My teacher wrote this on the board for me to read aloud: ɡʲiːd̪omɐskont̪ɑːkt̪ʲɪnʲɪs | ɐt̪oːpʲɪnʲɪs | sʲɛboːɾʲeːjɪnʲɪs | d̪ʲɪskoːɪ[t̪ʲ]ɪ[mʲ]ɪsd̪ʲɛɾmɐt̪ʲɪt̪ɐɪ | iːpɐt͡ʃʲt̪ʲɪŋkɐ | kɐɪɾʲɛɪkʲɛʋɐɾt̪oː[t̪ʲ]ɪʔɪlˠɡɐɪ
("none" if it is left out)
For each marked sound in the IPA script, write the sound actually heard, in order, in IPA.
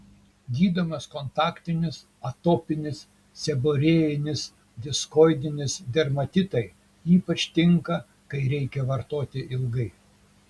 d̪ʲ, nʲ, t̪ʲ

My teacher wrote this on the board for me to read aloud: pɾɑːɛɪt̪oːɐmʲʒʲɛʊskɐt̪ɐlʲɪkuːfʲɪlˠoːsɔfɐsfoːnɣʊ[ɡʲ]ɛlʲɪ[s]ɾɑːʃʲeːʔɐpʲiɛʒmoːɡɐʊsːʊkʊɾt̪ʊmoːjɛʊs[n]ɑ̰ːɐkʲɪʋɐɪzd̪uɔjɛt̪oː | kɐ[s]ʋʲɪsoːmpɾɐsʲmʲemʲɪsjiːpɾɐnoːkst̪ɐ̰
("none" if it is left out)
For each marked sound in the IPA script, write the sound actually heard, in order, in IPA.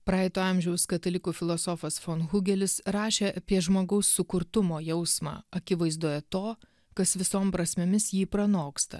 ɡʲ, s, m, s

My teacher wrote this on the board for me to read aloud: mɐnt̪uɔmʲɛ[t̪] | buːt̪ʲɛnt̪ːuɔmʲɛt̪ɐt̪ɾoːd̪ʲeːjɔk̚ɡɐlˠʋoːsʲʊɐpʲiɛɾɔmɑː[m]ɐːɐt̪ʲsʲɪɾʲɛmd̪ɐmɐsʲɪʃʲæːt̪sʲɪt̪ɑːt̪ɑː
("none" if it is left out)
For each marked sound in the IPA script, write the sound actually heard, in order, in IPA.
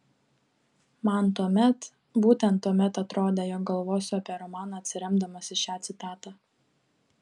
t̪, n

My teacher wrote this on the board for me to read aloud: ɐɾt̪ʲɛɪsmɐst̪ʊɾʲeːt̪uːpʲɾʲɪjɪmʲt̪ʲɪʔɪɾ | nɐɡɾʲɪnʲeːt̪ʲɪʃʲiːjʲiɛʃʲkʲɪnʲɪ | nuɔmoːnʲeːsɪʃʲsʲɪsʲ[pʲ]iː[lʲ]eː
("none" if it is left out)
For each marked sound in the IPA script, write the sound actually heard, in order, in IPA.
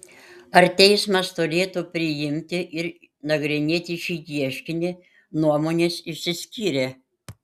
kʲ, ɾʲ

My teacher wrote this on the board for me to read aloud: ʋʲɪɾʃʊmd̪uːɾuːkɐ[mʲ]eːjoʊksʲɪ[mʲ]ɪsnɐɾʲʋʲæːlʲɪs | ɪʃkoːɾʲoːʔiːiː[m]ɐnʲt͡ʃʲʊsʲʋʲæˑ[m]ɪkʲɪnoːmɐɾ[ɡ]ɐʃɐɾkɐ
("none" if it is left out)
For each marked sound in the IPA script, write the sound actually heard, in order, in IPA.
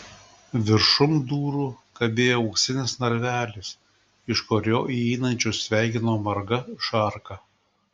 bʲ, nʲ, n, none, ɡ

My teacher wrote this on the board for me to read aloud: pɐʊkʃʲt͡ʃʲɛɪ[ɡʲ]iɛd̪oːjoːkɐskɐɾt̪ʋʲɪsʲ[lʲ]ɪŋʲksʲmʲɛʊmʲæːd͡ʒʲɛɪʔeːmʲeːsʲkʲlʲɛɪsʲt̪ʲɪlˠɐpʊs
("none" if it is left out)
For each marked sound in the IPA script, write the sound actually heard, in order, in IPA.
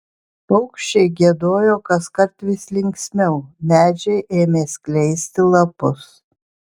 ɡʲ, lʲ

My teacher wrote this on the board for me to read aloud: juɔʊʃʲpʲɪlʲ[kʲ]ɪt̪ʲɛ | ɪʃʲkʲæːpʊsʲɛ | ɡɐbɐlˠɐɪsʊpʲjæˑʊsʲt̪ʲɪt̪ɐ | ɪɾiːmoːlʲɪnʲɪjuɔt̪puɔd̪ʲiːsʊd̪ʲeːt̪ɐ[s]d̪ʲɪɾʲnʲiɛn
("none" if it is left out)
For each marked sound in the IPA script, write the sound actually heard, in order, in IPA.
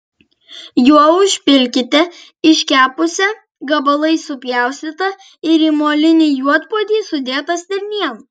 kʲ, s

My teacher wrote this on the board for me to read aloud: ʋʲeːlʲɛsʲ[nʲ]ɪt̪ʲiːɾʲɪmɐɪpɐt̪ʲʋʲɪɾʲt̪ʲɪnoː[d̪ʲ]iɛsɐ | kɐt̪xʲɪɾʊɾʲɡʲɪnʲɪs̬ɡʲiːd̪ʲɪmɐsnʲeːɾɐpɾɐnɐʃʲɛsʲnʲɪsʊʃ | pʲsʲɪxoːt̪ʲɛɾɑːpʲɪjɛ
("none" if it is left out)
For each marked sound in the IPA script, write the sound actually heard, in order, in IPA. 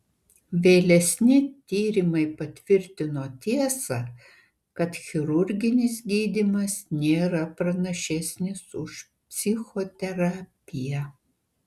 nʲ, t̪ʲ

